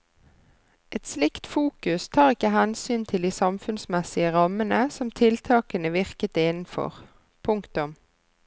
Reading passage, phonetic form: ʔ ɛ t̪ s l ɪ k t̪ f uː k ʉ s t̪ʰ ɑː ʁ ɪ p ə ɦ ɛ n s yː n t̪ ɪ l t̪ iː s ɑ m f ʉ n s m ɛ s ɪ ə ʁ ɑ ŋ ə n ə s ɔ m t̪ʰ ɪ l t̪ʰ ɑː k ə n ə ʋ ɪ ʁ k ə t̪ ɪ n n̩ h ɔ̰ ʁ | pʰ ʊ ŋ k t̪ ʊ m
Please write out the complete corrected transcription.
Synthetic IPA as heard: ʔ ɛ t̪ s l ɪ k t̪ f uː k ʉ s t̪ʰ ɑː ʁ ɪ k ə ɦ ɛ n s yː n t̪ʰ ɪ l d̪ iː s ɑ m f ʉ n s m ɛ s ɪ ə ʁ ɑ m ə n ə s ɔ m t̪ʰ ɪ l t̪ʰ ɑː k ə n ə ʋ ɪ ʁ k ə t̪ ɪ n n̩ f ɔ̰ ʁ | pʰ ʊ ŋ k t̪ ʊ m